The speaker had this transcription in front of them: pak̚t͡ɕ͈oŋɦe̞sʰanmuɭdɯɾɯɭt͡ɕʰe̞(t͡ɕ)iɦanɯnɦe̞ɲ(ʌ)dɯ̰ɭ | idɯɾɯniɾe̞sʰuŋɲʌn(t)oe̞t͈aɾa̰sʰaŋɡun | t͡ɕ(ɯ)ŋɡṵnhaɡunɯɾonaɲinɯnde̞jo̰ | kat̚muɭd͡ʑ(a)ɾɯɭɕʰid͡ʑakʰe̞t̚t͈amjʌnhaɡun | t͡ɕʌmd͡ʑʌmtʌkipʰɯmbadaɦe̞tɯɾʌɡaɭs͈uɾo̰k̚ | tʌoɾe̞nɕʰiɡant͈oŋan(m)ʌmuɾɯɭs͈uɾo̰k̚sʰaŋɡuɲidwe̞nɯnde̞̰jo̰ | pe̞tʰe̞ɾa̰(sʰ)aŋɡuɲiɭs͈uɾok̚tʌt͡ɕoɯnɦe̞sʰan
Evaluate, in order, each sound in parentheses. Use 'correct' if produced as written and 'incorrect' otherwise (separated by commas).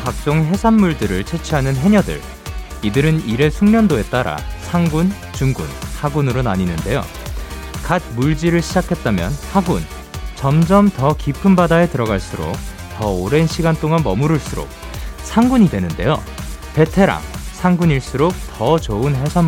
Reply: incorrect, correct, incorrect, incorrect, incorrect, correct, correct